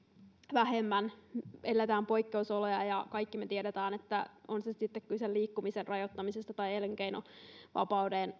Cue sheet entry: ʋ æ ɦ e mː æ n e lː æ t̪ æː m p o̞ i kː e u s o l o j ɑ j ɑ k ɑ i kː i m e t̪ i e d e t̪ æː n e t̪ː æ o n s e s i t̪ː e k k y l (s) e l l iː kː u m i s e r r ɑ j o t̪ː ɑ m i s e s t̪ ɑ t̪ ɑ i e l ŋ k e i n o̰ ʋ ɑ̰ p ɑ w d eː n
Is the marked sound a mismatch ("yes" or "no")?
no